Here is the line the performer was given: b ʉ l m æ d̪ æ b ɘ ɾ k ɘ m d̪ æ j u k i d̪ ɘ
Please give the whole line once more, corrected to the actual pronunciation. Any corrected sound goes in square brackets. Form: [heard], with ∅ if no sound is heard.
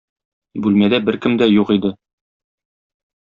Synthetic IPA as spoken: b ʉ l m æ d̪ æ b ɘ ɾ k ɘ m d̪ æ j u [q] i d̪ ɘ